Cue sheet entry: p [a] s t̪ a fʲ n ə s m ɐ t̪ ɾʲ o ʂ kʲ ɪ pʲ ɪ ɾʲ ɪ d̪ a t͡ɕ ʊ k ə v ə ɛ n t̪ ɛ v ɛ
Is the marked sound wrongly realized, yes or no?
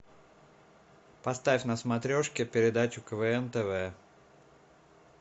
yes